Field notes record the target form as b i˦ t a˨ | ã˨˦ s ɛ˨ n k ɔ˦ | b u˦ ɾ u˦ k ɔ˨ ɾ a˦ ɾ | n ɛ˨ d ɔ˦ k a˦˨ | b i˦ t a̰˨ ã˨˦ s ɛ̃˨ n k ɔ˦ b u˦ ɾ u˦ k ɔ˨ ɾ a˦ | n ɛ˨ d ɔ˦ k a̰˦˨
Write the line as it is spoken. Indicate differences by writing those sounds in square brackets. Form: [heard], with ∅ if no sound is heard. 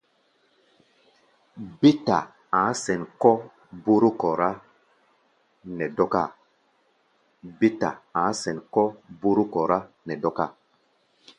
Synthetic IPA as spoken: b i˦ t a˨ | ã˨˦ s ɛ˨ n k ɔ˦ | b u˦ ɾ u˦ k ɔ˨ ɾ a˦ [∅] | n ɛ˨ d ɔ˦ k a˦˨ | b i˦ t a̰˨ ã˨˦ s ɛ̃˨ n k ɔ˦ b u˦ ɾ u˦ k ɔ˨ ɾ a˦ | n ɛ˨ d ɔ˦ k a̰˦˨